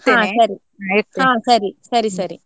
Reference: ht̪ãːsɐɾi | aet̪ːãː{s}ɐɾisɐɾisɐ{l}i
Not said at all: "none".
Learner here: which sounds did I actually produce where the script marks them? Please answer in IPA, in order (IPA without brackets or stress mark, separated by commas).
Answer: s, ɾ